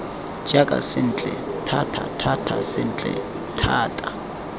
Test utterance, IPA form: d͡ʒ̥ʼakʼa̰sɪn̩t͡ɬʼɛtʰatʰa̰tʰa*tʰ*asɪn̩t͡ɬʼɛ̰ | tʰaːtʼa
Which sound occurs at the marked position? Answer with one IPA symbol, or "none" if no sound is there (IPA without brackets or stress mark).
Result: tʰ